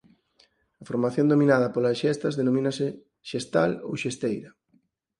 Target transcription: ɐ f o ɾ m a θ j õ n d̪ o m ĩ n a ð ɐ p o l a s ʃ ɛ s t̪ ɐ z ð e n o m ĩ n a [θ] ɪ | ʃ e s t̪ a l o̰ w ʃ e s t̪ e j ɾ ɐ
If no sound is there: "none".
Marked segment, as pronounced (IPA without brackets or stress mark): s